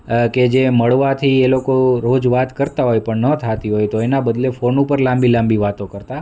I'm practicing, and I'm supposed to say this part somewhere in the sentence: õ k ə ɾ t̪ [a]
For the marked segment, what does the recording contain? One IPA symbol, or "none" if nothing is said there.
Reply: a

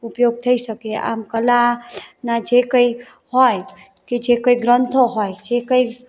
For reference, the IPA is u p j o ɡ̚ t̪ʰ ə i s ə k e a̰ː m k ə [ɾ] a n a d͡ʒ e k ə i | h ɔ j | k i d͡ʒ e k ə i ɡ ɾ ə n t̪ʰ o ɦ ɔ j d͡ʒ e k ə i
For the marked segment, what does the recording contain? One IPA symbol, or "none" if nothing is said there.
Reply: l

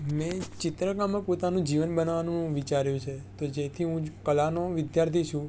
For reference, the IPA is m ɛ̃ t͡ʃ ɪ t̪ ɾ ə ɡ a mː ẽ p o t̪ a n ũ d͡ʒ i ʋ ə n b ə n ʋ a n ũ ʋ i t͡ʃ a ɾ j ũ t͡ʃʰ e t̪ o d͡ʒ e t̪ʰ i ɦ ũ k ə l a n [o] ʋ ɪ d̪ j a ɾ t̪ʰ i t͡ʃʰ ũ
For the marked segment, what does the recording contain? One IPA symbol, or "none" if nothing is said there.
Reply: o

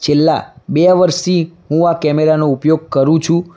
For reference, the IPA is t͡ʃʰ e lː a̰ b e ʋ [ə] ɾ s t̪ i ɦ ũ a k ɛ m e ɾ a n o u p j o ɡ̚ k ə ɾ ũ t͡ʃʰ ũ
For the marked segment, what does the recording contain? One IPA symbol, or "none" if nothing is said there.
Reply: ə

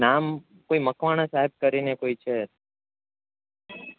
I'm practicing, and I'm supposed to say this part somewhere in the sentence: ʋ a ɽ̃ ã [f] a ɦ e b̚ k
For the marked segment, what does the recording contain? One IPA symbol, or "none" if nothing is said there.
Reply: s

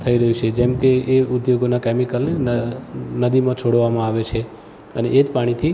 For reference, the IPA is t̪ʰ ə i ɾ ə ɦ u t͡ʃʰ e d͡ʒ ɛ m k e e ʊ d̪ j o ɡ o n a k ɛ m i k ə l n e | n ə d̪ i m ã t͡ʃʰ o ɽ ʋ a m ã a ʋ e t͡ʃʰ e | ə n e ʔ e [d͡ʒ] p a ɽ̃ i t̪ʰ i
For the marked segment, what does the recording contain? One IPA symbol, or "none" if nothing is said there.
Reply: d͡ʒ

